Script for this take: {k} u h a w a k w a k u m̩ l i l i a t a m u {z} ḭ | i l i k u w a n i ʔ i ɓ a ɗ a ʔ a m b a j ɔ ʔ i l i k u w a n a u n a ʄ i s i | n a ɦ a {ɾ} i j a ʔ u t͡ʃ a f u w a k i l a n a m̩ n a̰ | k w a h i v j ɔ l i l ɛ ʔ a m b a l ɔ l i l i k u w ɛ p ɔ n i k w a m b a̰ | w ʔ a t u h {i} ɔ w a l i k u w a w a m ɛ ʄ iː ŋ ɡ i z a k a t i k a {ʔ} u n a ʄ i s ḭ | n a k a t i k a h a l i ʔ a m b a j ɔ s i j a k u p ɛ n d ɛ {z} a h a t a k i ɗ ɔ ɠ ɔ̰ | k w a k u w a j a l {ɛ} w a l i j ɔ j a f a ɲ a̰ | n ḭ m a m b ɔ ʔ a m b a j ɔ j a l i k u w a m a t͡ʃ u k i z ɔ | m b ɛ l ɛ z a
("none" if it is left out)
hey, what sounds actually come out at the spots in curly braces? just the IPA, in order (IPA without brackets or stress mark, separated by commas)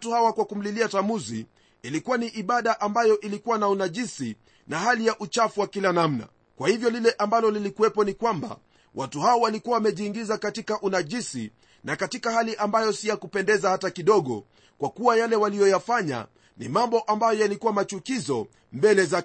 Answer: t, z, l, a, ʔ, z, ɛ